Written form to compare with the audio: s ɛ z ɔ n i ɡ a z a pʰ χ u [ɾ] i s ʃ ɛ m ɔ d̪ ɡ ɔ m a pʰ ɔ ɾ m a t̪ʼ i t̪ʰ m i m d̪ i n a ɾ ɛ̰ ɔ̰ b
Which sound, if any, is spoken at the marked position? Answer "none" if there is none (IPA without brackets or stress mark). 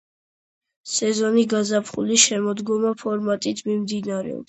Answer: l